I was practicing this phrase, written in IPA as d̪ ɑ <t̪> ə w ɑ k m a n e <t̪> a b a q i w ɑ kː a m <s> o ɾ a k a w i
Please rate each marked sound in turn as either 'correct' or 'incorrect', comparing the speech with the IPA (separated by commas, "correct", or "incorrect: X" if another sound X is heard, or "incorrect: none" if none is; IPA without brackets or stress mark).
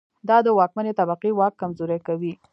incorrect: d̪, correct, incorrect: z